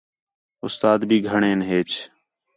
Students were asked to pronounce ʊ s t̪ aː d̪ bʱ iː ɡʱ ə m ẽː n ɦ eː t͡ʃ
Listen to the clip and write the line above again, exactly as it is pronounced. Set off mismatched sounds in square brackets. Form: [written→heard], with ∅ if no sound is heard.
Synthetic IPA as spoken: ʊ s t̪ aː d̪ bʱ iː ɡʱ ə [m→ɳ] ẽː n ɦ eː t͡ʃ